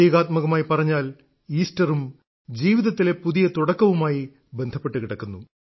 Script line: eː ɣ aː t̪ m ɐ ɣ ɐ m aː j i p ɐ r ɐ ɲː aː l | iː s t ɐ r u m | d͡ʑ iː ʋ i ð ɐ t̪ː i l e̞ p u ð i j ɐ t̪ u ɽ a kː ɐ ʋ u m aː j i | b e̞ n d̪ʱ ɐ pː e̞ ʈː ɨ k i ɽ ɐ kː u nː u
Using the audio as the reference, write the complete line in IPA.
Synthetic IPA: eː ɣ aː t̪ m ɐ ɣ ɐ m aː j i p ɐ r ɐ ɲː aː l | iː s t ɐ r u m | d͡ʑ iː ʋ i ð ɐ t̪ː i l e̞ p u ð i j ɐ t̪ u ɽ ɐ kː ɐ ʋ u m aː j i | b e̞ n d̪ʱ ɐ pː e̞ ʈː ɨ k i ɽ ɐ kː u nː u